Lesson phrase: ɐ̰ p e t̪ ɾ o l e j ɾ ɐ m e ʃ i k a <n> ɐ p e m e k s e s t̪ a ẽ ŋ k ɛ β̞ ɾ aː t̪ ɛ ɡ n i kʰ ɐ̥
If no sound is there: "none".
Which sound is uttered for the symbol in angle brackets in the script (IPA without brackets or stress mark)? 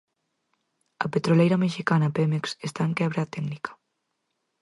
n